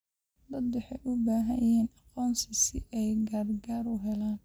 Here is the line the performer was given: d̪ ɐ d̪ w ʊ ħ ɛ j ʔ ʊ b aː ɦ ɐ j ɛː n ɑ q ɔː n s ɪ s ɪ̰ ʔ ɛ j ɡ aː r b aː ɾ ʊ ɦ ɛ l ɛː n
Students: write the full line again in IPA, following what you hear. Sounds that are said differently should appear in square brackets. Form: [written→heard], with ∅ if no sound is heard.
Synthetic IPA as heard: d̪ ɐ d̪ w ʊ ħ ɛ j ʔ ʊ b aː ɦ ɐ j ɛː n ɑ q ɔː n s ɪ s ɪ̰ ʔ ɛ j ɡ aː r [b→ɡ] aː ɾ ʊ ɦ ɛ l [ɛː→aː] n